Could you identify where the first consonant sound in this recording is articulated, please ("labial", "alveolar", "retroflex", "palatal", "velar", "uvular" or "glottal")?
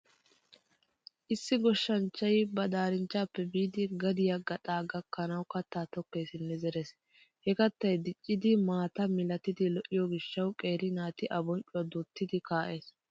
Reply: glottal